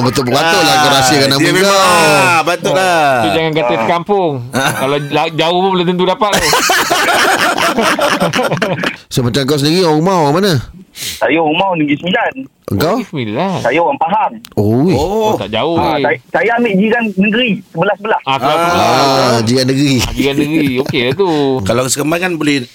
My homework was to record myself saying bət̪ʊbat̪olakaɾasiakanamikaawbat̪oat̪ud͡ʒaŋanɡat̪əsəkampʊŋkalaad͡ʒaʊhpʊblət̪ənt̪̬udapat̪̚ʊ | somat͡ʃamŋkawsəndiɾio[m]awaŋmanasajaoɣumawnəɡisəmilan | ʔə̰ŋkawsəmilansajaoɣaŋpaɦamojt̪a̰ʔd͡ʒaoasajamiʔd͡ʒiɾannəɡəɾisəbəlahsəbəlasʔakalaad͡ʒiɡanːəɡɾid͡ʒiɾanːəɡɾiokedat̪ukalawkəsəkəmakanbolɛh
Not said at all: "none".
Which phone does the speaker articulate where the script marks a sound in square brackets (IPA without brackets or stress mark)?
m